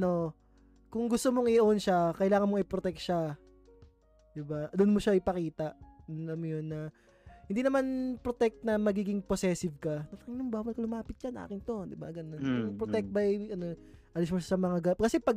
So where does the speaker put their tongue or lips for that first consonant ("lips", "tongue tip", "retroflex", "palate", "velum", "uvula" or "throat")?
tongue tip